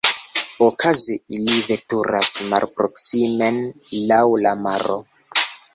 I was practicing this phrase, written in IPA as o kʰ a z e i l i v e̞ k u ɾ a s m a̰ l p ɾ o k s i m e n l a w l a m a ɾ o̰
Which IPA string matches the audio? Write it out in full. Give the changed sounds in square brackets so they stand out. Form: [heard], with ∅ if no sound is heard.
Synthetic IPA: o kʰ a z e i l i v e̞ [t] u ɾ a s m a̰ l p ɾ o k s i m e n l a w l a m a ɾ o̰